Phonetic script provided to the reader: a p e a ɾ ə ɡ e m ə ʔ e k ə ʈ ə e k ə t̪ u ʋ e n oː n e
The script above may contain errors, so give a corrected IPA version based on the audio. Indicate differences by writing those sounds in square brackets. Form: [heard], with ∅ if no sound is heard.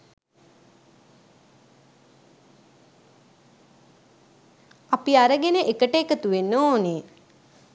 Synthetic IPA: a p [i] a ɾ ə ɡ e [n] ə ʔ e k ə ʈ ə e k ə t̪ u ʋ e [nː] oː n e